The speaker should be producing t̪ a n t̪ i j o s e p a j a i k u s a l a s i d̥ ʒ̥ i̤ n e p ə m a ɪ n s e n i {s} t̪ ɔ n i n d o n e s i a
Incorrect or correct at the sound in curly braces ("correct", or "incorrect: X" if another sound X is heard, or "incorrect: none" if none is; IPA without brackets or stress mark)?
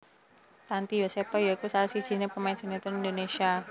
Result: incorrect: none